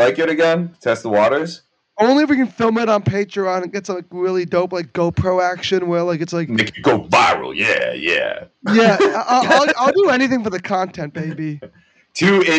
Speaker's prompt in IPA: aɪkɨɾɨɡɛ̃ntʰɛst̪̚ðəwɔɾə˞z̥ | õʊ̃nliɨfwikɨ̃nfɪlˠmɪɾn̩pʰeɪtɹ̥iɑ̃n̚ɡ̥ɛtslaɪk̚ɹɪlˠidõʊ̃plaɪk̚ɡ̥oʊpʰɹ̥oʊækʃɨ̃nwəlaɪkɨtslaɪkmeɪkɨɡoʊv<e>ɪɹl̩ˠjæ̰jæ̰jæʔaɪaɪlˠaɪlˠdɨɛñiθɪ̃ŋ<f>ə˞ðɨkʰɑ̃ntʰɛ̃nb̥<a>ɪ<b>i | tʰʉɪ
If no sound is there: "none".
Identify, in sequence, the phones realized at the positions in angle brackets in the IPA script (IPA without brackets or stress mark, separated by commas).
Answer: a, f, e, b